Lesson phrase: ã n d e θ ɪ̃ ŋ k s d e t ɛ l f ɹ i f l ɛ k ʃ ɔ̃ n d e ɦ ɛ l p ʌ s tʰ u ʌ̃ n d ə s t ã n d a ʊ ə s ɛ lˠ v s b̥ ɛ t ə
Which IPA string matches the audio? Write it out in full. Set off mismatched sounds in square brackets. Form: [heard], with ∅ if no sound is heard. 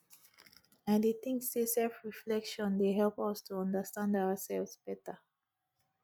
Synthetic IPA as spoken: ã n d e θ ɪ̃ ŋ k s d e [s] ɛ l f ɹ i f l ɛ k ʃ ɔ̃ n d e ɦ ɛ l p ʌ s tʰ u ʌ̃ n d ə s t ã n d a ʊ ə s ɛ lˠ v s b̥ ɛ t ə

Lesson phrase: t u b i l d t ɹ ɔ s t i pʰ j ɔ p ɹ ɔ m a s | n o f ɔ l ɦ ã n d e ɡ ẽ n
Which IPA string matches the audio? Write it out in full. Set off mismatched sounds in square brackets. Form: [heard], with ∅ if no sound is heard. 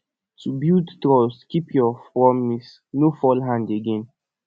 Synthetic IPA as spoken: t u b i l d t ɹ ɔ s [k] i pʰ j ɔ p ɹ ɔ m [i] s | n o f ɔ l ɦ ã n d e ɡ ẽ n

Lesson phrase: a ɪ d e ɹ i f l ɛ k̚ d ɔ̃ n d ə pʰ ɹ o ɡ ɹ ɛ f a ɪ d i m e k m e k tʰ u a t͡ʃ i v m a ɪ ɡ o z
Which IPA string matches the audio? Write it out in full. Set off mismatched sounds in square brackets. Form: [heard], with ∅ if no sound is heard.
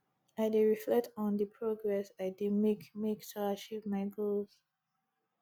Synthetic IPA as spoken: a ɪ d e ɹ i f l ɛ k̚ [t] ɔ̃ n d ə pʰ ɹ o ɡ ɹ ɛ [s] a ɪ d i m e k m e k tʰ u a t͡ʃ i v m a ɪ ɡ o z

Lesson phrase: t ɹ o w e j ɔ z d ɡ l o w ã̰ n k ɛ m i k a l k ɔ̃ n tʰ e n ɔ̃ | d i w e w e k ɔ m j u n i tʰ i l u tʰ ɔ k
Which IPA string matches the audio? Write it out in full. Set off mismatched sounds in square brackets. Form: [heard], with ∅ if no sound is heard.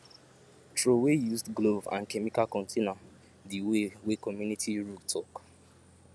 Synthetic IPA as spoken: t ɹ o w e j [u] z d ɡ l o [v] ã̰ n k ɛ m i k a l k ɔ̃ n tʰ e n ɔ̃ | d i w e w e k ɔ m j u n i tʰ i [ɹ] u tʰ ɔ k

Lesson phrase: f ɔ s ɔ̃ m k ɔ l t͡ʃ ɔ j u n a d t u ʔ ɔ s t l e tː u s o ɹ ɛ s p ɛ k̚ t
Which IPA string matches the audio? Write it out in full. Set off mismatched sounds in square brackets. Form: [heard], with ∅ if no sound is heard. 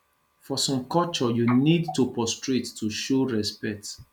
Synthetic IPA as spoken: f ɔ s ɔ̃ m k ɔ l t͡ʃ ɔ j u n [i] d t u [p] ɔ s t [ɹ] e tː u [ʃ] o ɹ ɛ s p ɛ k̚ t

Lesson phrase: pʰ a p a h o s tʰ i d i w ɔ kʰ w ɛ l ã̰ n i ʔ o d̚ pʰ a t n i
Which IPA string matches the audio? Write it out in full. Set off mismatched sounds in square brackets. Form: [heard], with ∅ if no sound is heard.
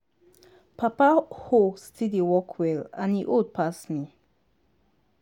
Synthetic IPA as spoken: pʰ a p a h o s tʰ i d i w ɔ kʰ w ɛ l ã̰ n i ʔ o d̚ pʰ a [s] n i

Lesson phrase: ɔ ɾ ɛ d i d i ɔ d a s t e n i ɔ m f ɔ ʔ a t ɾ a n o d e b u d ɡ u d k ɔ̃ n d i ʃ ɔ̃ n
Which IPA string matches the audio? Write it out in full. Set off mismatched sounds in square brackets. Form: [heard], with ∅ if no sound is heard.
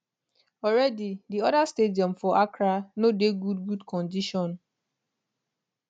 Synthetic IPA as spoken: ɔ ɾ ɛ d i d i ɔ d a s t e [d] i ɔ m f ɔ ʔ a [k] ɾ a n o d e [ɡ] u d ɡ u d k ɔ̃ n d i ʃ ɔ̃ n

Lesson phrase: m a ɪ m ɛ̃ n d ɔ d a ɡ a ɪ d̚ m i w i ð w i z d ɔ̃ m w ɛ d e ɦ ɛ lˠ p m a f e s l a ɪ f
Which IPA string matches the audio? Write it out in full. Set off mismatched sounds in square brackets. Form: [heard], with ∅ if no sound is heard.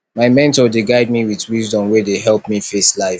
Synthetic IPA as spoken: m a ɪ m ɛ̃ n [t] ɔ d [e] ɡ a ɪ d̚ m i w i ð w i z d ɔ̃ m w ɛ d e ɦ ɛ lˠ p m [i] f e s l a ɪ f

